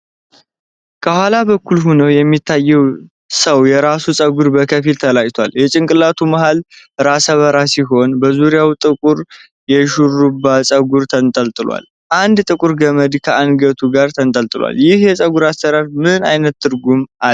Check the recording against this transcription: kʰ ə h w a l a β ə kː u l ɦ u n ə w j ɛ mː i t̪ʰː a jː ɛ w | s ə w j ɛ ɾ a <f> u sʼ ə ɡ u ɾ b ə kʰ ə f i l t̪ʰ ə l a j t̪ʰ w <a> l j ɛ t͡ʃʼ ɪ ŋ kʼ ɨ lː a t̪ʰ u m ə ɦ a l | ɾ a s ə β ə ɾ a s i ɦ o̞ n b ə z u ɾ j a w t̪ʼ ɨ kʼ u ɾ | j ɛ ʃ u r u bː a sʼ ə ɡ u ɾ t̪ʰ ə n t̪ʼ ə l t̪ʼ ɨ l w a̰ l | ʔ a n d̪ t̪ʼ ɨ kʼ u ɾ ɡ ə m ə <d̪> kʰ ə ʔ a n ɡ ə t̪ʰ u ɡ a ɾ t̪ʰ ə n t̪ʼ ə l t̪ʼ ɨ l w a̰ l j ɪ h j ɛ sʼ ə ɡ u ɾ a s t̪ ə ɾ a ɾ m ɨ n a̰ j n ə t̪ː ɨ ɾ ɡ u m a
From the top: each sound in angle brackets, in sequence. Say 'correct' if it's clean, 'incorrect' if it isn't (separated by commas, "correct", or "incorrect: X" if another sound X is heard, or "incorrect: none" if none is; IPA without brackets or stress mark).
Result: incorrect: s, correct, correct